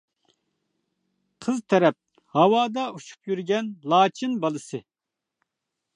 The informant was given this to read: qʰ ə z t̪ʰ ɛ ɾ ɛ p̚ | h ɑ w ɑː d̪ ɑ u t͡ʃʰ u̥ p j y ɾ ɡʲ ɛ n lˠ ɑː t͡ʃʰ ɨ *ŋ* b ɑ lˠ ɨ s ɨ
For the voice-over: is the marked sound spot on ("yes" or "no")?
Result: no